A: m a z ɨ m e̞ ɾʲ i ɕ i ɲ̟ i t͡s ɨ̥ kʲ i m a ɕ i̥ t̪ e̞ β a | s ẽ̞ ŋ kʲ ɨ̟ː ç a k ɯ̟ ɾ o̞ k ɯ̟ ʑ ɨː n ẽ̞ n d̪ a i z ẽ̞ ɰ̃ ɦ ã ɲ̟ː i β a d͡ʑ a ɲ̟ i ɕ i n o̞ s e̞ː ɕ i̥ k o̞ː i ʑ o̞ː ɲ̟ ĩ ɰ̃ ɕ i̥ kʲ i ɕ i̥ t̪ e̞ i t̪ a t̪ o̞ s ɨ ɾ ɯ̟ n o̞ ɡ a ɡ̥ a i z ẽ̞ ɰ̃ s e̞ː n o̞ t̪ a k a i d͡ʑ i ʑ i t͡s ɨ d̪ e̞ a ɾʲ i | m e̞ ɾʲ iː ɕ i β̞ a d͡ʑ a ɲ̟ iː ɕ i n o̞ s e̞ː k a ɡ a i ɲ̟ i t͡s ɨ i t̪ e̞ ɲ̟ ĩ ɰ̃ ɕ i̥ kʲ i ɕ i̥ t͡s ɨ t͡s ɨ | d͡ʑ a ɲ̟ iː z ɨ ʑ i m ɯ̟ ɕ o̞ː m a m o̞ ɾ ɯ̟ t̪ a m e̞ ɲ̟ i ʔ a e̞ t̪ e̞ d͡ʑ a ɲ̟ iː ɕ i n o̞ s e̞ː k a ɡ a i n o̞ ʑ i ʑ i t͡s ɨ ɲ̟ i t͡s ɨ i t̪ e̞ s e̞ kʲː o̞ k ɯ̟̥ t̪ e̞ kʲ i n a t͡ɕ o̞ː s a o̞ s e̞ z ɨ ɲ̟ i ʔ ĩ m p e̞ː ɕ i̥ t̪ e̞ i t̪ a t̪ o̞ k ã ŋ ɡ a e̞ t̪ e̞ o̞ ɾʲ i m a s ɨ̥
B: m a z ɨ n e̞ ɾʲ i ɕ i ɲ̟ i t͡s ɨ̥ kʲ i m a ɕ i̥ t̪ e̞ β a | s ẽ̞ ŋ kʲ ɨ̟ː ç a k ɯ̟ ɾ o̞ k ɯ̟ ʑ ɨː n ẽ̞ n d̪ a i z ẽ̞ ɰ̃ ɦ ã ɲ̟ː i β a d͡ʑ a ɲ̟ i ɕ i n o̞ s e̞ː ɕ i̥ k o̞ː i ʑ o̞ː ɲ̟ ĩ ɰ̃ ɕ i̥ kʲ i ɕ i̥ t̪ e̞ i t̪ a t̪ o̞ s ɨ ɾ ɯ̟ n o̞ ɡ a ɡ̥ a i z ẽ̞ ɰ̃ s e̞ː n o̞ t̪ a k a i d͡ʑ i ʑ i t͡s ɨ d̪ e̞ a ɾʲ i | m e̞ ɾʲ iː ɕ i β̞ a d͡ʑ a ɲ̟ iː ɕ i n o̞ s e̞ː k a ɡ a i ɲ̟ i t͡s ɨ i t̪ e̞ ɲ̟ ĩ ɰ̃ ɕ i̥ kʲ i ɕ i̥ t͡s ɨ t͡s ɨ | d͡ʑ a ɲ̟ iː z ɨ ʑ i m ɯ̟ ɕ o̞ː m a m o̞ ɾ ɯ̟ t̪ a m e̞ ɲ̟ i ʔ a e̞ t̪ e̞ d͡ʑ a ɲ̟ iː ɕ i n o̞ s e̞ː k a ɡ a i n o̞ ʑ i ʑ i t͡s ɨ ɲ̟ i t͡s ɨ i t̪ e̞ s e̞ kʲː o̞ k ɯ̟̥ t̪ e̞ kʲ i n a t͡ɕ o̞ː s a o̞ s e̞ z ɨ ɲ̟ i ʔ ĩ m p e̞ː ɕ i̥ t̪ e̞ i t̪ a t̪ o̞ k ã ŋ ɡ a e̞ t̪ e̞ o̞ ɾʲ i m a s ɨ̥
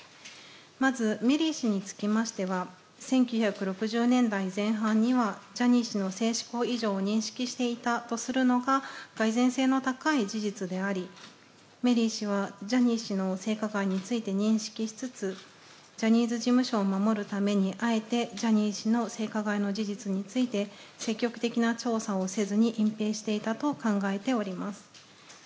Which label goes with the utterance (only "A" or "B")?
A